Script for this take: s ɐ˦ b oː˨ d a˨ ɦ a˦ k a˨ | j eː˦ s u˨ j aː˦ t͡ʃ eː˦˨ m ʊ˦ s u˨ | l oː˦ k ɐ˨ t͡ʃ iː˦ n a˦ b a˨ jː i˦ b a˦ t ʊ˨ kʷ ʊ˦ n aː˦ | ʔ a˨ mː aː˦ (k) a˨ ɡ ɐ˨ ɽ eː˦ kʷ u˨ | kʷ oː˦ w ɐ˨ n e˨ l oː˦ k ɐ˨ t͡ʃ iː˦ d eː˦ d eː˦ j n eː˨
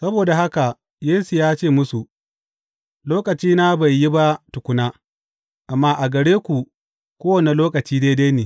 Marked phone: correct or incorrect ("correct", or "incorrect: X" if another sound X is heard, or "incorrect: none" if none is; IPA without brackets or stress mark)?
incorrect: ʔ